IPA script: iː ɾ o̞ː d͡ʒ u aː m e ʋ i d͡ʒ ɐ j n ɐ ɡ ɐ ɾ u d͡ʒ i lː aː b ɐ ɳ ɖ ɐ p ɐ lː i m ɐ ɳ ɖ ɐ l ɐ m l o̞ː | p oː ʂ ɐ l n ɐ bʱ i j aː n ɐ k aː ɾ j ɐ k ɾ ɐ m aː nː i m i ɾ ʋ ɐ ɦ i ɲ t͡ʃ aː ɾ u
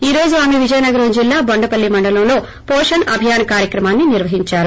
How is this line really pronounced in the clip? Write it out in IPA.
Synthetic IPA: iː ɾ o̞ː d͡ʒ u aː m e ʋ i d͡ʒ ɐ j n ɐ ɡ ɐ ɾ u d͡ʒ i lː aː b ɐ ɳ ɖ ɐ p ɐ lː i m ɐ ɳ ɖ ɐ l ɐ m l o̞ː | p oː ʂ ɐ n ɐ bʱ i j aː n ɐ k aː ɾ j ɐ k ɾ ɐ m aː nː i n i ɾ ʋ ɐ ɦ i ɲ t͡ʃ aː ɾ u